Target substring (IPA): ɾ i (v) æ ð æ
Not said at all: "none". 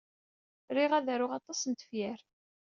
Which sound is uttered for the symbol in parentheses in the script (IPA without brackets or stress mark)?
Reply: ʁ